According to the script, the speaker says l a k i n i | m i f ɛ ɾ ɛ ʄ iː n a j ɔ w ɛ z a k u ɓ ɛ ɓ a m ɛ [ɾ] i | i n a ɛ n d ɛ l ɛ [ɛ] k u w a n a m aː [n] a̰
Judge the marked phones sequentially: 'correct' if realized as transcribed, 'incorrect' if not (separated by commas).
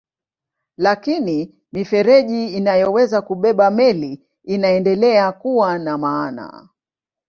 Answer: incorrect, incorrect, correct